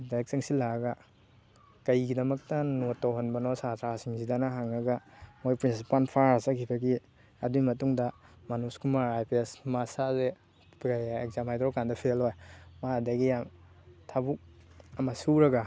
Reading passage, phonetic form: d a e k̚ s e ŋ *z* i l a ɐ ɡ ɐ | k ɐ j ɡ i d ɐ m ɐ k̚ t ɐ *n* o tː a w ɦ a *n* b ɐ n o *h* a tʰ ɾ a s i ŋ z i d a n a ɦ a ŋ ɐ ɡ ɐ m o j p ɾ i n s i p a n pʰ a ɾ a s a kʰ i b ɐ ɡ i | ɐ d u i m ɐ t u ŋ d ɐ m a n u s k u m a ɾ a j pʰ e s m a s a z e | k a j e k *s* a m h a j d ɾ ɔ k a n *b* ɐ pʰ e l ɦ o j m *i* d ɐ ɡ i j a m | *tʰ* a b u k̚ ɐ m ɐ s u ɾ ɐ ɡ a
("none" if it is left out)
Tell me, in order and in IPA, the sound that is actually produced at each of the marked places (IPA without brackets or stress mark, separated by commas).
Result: s, n, n, s, z, d, a, tʰ